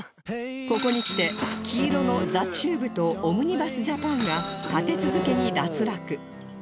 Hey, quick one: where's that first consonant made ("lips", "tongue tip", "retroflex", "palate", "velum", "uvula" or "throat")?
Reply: velum